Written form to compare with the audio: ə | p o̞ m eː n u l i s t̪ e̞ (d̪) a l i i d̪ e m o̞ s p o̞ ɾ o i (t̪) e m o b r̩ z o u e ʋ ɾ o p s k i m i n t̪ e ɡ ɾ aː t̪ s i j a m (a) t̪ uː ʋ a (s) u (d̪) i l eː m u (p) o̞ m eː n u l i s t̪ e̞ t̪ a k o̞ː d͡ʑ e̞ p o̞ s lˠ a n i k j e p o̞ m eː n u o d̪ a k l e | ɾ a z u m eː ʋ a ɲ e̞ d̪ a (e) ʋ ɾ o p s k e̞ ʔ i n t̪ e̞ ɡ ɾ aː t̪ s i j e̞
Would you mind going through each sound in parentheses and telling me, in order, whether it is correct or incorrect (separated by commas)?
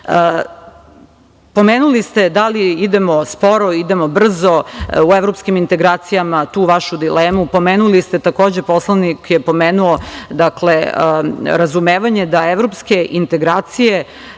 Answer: correct, incorrect, correct, incorrect, correct, correct, correct